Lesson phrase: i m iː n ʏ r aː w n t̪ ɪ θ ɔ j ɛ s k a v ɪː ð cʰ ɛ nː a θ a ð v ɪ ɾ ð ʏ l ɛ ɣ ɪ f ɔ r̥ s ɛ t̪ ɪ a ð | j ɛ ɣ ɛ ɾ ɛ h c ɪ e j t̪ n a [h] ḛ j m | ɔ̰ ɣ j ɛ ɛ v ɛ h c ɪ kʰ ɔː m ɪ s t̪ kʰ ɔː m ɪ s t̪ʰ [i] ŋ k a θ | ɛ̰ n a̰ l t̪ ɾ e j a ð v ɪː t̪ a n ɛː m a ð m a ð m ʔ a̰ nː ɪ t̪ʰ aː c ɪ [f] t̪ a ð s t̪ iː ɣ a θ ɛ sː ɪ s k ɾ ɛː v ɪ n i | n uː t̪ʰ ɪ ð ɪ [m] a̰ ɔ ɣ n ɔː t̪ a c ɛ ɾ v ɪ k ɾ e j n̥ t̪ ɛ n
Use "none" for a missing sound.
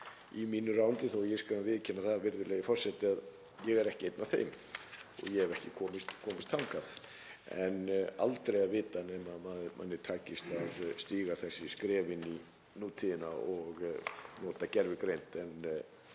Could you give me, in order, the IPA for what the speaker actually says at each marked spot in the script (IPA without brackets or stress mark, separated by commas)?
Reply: θ, a, s, n